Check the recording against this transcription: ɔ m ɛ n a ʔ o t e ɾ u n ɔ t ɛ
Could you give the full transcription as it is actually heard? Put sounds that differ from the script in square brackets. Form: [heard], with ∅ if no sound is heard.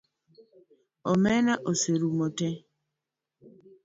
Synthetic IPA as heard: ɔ m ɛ n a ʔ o [s] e ɾ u [m] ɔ t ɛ